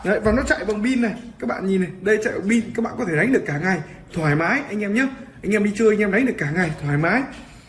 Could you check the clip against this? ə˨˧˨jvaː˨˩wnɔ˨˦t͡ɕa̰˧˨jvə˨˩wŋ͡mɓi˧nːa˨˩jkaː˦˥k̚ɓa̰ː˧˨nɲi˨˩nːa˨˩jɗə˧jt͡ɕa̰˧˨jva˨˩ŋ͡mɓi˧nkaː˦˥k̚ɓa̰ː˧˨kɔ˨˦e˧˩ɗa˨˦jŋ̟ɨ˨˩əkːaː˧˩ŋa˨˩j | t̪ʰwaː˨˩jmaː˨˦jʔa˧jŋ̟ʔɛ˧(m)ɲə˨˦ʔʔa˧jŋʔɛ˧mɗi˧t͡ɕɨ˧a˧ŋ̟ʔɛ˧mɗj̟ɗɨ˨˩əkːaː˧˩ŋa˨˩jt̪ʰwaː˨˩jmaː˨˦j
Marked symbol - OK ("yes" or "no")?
yes